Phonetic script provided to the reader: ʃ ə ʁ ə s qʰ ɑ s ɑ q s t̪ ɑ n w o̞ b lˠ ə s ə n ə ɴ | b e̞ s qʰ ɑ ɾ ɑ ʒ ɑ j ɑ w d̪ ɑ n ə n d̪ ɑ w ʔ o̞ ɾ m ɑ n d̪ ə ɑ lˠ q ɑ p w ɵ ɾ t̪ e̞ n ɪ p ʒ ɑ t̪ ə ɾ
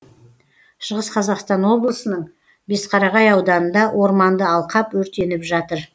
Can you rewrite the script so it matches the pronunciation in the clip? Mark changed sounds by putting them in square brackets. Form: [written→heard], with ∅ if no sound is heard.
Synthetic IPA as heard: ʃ ə ʁ ə s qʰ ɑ [s→z] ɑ q s t̪ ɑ n w o̞ b lˠ ə s ə n ə ɴ | b e̞ s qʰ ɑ ɾ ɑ [ʒ→ʁ] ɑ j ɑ w d̪ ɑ n ə n d̪ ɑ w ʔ o̞ ɾ m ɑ n d̪ ə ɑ lˠ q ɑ p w ɵ ɾ t̪ e̞ n ɪ p ʒ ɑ t̪ ə ɾ